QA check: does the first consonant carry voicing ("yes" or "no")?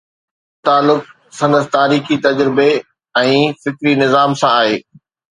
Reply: no